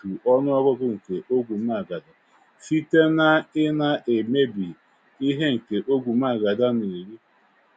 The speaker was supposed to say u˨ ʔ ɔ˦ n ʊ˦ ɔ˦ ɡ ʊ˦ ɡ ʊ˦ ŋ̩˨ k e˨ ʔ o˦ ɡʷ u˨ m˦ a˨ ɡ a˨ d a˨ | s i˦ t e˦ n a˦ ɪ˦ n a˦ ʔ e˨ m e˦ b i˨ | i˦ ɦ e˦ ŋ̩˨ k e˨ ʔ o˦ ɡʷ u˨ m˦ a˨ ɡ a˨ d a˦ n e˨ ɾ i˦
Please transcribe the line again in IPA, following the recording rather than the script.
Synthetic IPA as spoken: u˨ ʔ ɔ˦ n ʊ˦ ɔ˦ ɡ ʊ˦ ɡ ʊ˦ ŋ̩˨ k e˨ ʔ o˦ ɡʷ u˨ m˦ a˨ ɡ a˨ d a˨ | f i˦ t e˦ n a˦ ɪ˦ n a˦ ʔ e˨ m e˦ b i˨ | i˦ ɦ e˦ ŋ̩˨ k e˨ ʔ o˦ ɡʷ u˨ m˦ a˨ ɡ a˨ d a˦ n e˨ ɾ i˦